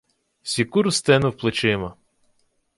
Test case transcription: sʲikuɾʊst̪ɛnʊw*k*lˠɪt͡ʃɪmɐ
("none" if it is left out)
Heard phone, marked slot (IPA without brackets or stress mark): p